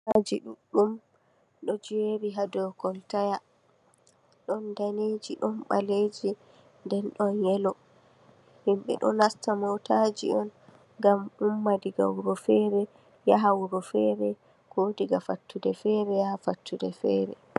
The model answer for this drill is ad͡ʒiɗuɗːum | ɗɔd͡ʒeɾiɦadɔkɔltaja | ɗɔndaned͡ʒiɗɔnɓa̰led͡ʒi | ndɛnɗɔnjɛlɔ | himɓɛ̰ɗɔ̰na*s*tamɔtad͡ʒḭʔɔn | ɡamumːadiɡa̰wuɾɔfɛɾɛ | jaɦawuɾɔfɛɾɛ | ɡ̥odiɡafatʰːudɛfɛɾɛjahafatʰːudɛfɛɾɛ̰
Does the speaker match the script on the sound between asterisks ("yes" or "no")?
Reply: yes